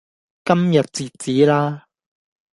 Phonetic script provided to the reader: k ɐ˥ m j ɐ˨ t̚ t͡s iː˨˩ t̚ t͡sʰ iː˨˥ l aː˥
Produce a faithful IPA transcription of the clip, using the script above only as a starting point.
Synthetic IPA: k ɐ˥ m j ɐ˨ t̚ t͡s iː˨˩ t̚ t͡s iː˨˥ l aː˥